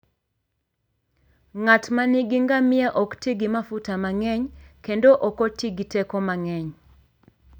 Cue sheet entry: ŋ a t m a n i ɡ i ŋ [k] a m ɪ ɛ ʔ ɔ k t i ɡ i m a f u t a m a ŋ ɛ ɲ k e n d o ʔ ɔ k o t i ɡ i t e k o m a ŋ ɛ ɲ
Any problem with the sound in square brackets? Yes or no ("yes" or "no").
yes